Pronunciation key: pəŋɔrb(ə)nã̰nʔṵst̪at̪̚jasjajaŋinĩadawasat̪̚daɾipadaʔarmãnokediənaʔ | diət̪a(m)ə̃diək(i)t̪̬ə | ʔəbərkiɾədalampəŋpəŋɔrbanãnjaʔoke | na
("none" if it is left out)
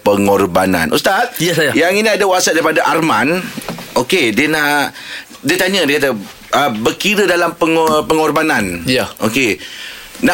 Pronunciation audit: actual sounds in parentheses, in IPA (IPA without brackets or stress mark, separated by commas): a, ɲ, a